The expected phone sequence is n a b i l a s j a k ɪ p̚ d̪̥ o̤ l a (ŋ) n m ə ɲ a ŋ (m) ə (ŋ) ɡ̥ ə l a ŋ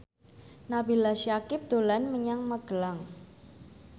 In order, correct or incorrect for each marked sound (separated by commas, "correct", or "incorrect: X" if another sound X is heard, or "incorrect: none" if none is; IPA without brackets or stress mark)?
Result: incorrect: none, correct, incorrect: none